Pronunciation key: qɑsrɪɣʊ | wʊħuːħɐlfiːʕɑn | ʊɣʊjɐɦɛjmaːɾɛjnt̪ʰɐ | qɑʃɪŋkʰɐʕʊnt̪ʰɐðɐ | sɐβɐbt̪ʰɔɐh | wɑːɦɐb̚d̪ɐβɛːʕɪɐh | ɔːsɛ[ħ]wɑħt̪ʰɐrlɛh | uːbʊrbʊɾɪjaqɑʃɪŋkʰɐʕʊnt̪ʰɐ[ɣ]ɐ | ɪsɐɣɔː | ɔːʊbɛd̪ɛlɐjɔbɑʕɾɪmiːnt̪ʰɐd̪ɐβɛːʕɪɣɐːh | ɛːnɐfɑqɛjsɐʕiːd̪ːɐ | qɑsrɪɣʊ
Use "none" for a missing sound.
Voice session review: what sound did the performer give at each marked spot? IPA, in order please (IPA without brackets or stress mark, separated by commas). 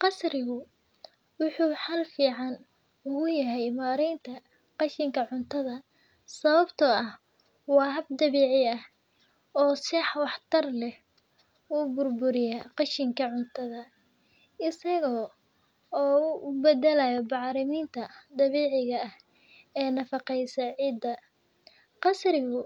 ħ, ð